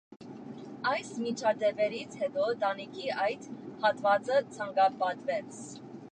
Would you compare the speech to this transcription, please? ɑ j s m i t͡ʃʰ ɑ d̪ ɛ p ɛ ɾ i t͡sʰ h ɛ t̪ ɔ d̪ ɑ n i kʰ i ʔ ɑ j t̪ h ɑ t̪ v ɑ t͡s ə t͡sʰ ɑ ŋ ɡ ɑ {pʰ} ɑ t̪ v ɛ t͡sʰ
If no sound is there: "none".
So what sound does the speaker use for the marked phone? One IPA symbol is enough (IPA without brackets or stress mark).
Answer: p